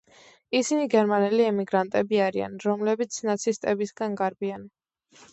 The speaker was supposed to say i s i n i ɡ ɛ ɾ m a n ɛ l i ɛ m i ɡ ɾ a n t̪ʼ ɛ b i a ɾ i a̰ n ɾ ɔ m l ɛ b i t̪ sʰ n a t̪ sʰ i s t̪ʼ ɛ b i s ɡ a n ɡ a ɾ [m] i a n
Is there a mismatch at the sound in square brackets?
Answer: yes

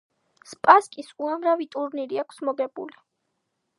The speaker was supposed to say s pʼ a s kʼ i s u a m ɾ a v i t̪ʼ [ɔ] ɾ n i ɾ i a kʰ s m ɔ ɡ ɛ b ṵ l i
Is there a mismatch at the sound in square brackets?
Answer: yes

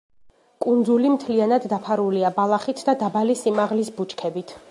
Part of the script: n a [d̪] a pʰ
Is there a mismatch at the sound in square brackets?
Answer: yes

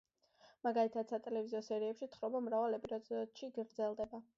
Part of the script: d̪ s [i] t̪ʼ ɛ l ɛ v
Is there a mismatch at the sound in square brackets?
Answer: yes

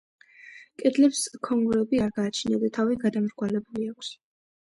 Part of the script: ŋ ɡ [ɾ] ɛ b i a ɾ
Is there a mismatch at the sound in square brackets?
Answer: no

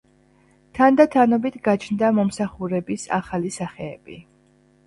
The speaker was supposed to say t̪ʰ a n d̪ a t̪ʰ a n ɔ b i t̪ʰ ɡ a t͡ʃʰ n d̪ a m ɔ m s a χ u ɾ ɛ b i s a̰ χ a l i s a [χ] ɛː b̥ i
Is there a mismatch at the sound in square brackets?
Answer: no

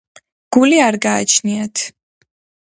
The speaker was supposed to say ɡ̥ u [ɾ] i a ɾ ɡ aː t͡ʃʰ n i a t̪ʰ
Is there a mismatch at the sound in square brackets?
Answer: yes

